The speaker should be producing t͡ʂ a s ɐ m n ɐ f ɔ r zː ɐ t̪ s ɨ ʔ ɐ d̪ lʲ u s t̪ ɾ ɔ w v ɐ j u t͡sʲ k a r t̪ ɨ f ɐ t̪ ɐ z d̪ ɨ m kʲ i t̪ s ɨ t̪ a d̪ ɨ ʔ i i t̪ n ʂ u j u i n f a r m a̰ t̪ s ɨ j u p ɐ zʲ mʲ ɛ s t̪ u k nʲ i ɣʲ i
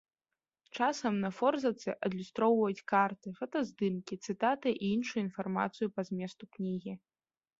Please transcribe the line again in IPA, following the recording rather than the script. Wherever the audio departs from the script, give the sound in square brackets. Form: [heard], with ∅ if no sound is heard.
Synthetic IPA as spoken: t͡ʂ a s ɐ m n ɐ f ɔ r [z] ɐ t̪ s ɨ ʔ ɐ d̪ lʲ u s t̪ ɾ ɔ w v ɐ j u t͡sʲ k a r t̪ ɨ f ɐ t̪ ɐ z d̪ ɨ m kʲ i t̪ s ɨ t̪ a [t̪] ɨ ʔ i i [∅] n ʂ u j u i n f a r m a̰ t̪ s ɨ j u p ɐ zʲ mʲ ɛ s t̪ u k nʲ i ɣʲ i